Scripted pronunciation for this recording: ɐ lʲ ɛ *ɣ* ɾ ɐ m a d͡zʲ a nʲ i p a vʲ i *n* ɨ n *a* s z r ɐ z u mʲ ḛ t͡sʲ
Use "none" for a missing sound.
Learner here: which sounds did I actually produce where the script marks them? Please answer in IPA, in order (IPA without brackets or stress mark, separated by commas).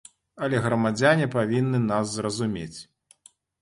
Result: ɣ, nː, a